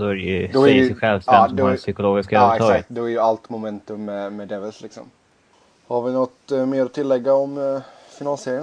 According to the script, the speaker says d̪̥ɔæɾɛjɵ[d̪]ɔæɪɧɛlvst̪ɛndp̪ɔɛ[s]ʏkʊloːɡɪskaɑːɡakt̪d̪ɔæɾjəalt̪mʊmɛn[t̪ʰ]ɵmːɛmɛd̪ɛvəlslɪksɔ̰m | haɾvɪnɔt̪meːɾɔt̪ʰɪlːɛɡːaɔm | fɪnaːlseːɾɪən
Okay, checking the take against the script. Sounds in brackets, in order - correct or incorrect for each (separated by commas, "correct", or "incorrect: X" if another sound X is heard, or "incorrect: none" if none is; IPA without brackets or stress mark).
correct, correct, incorrect: t̪